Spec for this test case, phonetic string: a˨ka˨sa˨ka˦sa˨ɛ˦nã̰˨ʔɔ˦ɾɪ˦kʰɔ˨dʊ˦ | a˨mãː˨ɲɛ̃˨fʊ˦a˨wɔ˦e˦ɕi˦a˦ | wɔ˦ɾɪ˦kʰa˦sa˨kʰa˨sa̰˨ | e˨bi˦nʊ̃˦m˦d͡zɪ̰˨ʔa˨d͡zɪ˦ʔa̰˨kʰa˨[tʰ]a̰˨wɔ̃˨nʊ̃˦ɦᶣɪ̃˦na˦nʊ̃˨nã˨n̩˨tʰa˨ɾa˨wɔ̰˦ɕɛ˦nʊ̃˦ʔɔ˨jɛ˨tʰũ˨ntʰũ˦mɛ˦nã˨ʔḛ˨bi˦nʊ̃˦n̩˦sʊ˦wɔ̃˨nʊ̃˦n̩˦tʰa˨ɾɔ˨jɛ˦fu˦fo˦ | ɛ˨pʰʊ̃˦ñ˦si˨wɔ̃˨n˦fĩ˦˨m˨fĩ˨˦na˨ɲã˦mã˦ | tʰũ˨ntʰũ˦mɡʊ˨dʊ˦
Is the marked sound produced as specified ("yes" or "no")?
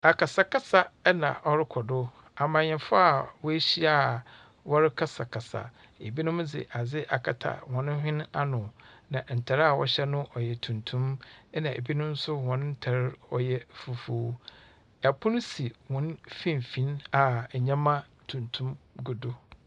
yes